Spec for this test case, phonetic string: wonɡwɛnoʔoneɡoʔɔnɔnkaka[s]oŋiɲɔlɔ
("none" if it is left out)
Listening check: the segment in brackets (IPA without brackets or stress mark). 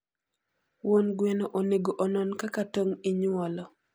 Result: t